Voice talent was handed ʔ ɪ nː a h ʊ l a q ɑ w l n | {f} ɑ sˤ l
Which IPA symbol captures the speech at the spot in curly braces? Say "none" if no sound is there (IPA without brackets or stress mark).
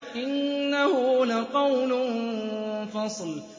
f